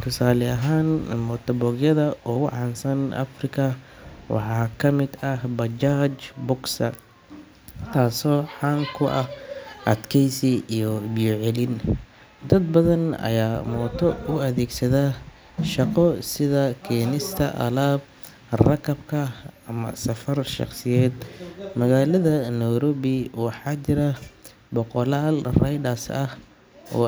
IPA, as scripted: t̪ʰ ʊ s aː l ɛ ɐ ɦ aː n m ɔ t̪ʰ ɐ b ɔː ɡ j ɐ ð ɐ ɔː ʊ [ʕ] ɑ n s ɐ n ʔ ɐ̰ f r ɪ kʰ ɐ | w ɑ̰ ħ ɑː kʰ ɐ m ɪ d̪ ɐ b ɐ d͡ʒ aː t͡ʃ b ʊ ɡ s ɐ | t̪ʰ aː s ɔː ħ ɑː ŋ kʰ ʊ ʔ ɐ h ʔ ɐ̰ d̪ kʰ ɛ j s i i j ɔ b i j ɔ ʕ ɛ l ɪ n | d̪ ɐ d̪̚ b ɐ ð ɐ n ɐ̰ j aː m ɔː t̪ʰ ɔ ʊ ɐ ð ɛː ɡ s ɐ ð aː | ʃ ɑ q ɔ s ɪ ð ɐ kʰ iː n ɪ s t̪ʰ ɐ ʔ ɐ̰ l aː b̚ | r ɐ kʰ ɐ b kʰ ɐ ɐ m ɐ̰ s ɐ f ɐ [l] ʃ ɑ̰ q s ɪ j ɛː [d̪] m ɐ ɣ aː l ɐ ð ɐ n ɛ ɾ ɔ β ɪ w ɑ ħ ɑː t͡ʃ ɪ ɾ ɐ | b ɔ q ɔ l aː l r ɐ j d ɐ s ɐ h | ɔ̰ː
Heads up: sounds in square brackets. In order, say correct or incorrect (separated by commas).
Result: correct, incorrect, correct